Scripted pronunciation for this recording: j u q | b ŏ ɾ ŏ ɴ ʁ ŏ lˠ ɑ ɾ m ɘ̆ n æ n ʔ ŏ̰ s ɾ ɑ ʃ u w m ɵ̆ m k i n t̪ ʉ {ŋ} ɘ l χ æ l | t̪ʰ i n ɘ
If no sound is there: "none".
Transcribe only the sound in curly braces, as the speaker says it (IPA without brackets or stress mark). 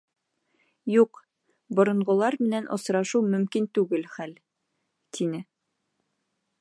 ɡ